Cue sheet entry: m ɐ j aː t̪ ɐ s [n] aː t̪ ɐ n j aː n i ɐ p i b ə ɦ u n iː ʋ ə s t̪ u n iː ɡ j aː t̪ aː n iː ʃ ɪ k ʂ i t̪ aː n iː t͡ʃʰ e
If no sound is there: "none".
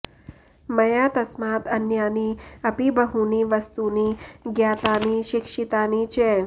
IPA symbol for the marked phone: m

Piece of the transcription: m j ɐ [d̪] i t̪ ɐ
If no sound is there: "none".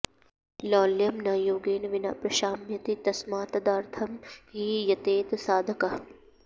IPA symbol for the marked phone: t̪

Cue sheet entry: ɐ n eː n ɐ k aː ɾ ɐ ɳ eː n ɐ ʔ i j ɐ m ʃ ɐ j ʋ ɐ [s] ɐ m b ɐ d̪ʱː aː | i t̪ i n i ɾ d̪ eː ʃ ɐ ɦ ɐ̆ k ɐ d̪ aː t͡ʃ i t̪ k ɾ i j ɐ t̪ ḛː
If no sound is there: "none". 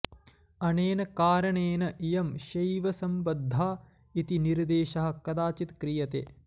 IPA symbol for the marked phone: s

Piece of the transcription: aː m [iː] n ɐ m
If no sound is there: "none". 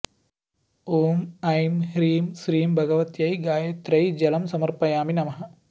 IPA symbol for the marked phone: i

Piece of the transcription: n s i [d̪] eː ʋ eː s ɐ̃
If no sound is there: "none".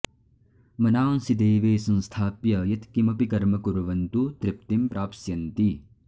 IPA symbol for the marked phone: d̪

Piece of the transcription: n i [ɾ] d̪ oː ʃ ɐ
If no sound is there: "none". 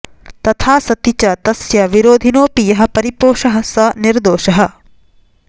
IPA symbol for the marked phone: ɾ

